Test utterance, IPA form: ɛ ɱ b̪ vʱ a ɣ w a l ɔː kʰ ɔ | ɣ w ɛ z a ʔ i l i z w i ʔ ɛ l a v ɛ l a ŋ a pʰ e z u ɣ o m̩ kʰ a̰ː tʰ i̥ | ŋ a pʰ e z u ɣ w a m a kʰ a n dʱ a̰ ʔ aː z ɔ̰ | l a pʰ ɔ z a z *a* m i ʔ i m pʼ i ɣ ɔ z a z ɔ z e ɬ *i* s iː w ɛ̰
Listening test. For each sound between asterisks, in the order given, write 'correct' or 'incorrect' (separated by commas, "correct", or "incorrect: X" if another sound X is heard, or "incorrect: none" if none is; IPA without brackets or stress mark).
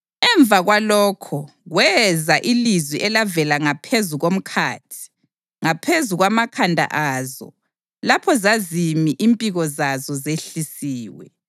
incorrect: i, correct